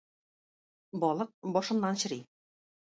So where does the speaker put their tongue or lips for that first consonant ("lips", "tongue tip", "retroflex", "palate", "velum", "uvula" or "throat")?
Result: lips